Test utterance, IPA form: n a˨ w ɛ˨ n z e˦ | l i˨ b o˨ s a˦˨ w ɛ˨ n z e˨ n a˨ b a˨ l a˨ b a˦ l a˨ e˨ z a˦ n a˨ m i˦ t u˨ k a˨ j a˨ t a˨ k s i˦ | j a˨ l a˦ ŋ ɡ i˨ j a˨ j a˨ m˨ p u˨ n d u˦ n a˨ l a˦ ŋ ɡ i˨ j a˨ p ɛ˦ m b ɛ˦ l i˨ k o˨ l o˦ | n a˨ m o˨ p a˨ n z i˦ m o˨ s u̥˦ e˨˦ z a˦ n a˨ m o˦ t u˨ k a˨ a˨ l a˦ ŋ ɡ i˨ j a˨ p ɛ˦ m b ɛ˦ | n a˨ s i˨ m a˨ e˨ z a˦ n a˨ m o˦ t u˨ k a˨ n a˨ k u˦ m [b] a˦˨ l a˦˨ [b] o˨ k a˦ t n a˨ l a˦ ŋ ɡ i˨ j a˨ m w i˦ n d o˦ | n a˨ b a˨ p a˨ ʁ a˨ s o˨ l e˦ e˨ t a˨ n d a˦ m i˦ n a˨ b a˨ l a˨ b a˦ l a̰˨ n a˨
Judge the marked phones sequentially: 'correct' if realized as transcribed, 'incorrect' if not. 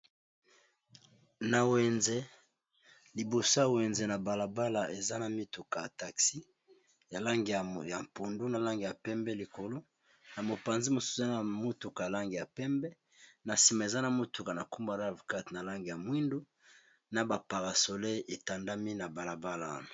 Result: correct, incorrect

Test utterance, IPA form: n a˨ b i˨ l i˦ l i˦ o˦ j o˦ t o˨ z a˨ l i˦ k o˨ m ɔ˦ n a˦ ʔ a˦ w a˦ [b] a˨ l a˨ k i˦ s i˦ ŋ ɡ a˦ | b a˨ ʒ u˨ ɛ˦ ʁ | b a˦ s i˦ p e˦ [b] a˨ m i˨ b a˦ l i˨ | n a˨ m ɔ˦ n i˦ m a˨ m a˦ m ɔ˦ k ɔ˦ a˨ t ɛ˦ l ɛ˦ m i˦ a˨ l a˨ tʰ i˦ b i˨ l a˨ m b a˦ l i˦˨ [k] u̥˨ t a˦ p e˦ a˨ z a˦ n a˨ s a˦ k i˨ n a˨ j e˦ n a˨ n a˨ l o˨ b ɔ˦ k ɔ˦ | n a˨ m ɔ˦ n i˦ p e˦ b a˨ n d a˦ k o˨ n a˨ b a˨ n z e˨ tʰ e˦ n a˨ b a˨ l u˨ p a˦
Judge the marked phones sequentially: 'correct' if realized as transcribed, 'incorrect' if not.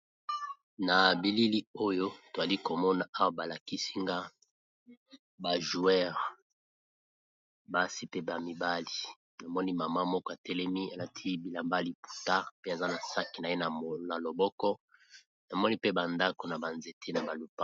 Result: correct, correct, incorrect

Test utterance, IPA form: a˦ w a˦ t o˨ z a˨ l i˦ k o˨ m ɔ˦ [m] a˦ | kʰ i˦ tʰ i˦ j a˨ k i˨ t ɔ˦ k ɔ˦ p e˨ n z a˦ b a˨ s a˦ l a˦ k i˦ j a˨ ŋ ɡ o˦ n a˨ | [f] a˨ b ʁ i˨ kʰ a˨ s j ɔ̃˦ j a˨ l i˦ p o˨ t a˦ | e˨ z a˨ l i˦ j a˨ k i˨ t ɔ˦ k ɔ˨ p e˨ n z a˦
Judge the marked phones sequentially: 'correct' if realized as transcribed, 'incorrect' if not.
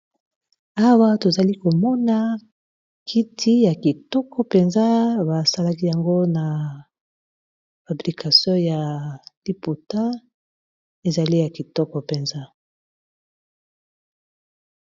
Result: incorrect, correct

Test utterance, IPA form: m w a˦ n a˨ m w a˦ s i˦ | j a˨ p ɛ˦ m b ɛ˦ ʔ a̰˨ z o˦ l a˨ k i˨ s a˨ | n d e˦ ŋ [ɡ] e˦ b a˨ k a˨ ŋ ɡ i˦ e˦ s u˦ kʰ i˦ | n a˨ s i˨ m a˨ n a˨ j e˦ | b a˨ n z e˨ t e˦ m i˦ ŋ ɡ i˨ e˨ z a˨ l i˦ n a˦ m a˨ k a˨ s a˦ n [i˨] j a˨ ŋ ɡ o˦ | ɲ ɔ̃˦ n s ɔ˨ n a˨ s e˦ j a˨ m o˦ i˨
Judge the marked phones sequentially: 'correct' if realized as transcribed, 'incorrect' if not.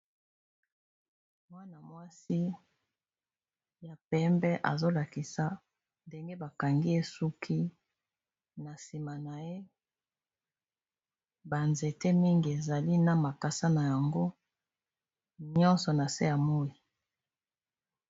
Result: correct, incorrect

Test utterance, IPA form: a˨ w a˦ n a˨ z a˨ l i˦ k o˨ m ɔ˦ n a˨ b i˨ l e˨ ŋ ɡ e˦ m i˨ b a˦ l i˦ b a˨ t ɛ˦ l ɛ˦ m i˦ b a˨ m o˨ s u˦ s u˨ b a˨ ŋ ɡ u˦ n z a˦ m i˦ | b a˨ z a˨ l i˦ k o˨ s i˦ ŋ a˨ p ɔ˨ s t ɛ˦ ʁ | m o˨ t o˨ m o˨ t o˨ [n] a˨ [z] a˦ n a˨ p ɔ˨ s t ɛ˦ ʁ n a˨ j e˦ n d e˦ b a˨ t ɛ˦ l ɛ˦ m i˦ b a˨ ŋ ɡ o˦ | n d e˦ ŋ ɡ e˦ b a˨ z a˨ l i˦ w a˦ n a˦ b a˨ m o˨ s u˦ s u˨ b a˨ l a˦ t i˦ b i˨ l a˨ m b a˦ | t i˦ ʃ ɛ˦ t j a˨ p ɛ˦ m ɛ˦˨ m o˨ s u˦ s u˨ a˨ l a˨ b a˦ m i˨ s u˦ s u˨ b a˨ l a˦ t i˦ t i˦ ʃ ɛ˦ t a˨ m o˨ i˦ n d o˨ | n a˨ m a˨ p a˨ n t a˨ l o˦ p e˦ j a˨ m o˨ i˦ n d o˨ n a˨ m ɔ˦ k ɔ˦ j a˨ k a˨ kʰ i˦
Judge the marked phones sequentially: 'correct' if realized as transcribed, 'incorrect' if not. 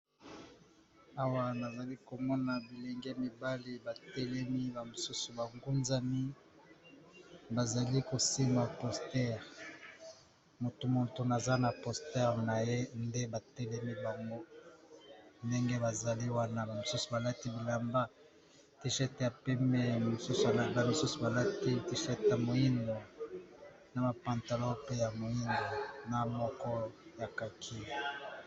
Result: correct, correct

